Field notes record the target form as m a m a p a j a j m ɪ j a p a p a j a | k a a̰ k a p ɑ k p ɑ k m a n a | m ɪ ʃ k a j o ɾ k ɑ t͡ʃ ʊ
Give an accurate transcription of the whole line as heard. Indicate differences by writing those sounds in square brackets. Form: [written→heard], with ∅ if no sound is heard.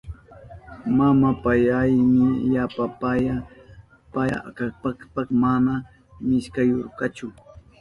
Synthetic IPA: m a m a p a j a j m ɪ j a p a p a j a | [k→p] a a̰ k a p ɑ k p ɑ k m a n a | m ɪ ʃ k a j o ɾ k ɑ t͡ʃ ʊ